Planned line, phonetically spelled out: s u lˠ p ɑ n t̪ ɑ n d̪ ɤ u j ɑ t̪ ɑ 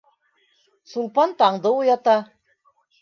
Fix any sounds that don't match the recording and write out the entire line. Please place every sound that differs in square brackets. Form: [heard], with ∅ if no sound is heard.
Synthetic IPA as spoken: s u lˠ p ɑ n t̪ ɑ [ɴ] d̪ ɤ u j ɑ t̪ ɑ